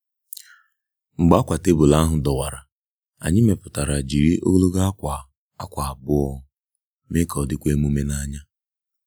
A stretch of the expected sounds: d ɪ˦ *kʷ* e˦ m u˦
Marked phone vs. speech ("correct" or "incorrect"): correct